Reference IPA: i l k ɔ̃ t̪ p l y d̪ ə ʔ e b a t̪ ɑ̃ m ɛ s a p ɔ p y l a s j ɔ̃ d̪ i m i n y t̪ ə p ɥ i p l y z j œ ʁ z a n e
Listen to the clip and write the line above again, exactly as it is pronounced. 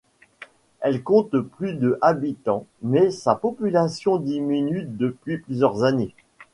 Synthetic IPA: ɛ l k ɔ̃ t̪ p l y d̪ ə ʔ a b i t̪ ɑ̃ m ɛ s a p ɔ p y l a s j ɔ̃ d̪ i m i n y d̪ ə p ɥ i p l y z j œ ʁ z a n e